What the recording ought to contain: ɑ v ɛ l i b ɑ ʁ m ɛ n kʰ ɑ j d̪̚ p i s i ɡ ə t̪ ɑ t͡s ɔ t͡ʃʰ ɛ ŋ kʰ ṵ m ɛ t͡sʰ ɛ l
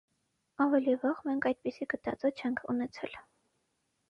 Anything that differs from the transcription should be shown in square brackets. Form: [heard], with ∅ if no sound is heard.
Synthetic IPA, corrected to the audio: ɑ v ɛ l i [v] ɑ ʁ m ɛ [ŋ] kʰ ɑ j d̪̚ p i s i ɡ ə t̪ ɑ t͡s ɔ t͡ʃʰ ɛ ŋ kʰ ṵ [n] ɛ t͡sʰ ɛ l